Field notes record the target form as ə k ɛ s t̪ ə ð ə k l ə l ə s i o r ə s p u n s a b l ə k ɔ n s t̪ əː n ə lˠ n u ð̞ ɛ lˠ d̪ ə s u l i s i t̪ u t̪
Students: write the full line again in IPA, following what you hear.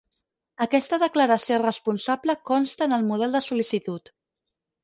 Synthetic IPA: ə k ɛ s t̪ ə ð ə k l ə ɾ ə s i o r ə s p u n s a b l ə k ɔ n s t̪ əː n ə lˠ m u ð̞ ɛ lˠ d̪ ə s u l i s i t̪ u t̪